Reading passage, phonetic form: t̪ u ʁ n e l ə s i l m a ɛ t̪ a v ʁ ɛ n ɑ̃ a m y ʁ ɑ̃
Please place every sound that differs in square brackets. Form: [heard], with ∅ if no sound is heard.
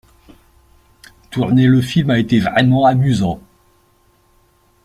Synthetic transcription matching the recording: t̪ u ʁ n e l ə [f] i l m a [e] t̪ [e] v ʁ ɛ [m] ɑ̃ a m y [z] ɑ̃